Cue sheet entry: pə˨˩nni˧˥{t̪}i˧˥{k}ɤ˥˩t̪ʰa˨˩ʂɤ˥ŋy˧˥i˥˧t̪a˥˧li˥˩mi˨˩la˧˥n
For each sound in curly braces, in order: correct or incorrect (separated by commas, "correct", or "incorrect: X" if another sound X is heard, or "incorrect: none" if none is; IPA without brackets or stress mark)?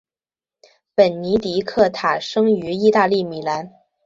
correct, incorrect: kʰ